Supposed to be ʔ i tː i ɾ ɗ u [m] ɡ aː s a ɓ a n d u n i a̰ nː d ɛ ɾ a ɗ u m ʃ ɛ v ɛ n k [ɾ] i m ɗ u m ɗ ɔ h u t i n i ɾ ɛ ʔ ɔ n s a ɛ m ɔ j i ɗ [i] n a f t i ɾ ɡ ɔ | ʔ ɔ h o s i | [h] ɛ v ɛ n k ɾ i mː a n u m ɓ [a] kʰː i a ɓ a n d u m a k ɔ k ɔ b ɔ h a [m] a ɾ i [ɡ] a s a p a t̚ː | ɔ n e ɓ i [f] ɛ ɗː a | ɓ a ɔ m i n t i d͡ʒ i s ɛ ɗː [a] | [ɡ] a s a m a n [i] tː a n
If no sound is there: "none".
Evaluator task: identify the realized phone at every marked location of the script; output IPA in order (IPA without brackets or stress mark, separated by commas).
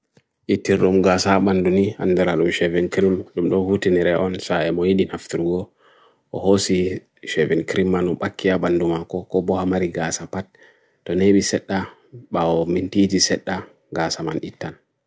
m, ɾ, i, ʃ, a, m, ɡ, s, a, ɡ, i